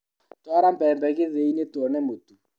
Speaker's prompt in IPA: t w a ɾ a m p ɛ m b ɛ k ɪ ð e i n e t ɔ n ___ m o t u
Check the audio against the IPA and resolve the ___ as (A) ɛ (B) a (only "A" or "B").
A